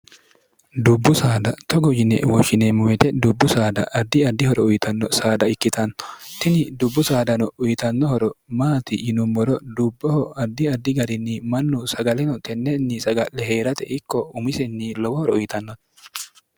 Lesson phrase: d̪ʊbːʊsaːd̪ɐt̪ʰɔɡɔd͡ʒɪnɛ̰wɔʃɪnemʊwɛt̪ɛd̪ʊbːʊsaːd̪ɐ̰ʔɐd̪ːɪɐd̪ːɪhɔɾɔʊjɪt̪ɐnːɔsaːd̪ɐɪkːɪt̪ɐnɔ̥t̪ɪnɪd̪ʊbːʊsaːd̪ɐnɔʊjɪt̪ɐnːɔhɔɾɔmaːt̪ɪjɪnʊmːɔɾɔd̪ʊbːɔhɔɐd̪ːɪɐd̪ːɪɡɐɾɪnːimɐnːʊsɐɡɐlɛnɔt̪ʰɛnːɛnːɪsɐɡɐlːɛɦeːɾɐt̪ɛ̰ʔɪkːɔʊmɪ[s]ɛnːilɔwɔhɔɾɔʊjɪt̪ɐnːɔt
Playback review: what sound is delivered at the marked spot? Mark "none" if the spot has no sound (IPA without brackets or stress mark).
s